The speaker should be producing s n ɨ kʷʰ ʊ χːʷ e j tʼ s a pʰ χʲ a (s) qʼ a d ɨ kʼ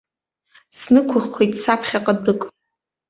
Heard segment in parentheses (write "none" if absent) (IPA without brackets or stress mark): none